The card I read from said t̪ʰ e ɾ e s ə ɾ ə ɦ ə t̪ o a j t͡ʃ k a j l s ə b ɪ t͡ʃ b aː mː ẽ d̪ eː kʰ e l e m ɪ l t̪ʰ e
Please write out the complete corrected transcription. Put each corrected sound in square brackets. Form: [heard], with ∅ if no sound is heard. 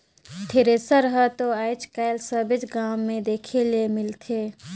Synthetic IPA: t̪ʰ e ɾ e s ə ɾ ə ɦ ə t̪ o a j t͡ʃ k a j l s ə b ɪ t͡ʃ [ɡ] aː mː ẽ d̪ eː kʰ e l e m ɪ l t̪ʰ e